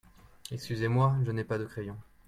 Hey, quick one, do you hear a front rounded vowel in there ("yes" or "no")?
yes